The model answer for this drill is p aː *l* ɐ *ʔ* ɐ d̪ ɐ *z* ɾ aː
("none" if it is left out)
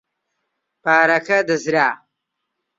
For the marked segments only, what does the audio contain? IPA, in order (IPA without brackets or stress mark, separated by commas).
ɾ, k, z